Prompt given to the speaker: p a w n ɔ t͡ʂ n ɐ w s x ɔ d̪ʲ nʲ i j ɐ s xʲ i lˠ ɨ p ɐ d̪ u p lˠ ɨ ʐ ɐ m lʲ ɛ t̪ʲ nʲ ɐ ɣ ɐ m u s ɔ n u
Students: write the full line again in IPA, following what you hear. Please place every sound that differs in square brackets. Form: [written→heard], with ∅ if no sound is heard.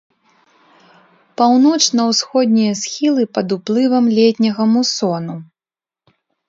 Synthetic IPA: p a w n ɔ t͡ʂ n ɐ w s x ɔ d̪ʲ nʲ i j ɐ s xʲ i lˠ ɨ p ɐ d̪ u p lˠ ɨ [ʐ→v] ɐ m lʲ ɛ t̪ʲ nʲ ɐ ɣ ɐ m u s ɔ n u